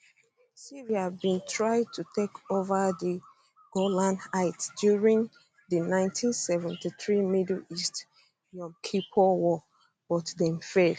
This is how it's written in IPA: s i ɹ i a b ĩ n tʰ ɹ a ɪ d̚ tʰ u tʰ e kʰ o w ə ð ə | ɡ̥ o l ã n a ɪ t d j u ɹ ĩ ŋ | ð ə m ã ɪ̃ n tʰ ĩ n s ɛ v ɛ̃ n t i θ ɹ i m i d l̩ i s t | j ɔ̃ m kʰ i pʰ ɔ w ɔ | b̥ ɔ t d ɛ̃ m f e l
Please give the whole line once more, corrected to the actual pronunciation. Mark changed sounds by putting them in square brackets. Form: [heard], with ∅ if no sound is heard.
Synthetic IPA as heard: s i ɹ i a b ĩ n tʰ ɹ a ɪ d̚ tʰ u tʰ e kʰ o [v] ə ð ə | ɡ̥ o l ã n a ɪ t d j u ɹ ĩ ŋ | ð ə [n] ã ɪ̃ n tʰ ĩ n s ɛ v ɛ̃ n t i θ ɹ i m i d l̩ i s t | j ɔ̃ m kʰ i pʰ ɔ w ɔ | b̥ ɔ t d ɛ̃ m f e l